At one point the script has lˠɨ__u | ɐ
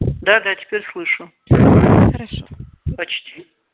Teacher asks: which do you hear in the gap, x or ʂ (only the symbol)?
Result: ʂ